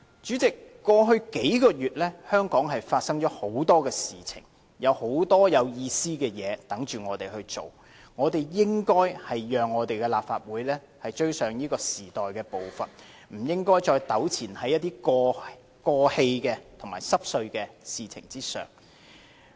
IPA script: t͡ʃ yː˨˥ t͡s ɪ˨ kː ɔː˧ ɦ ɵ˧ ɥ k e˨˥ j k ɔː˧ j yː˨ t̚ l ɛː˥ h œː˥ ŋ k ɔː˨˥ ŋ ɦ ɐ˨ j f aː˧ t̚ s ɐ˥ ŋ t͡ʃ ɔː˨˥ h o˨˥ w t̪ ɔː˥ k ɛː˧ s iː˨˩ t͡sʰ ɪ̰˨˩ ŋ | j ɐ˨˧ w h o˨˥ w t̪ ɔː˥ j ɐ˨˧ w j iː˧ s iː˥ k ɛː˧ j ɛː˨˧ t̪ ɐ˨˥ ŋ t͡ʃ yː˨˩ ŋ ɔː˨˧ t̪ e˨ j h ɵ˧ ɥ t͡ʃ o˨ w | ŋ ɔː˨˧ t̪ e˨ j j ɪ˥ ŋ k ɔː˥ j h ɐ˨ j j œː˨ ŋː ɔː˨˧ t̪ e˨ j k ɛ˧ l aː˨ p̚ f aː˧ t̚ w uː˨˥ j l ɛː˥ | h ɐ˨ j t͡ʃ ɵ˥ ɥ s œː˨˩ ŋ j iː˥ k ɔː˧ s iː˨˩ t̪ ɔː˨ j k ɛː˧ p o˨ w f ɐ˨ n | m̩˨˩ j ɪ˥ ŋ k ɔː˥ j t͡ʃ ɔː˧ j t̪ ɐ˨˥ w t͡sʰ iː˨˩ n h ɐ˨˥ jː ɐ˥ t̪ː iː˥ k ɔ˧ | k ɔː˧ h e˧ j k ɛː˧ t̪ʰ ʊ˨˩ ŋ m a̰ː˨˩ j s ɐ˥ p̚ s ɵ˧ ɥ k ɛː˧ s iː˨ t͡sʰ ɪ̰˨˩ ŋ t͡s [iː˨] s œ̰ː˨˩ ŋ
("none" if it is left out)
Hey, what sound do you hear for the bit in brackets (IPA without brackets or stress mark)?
iː˥